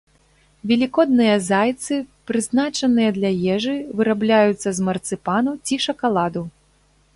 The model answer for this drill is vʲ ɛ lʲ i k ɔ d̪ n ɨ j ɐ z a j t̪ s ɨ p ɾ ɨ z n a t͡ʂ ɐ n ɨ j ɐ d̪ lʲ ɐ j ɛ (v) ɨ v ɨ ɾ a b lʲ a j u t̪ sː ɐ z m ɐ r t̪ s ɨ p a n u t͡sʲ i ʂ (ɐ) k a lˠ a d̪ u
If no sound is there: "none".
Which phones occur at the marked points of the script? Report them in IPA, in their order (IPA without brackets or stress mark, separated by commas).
ʐ, ɐ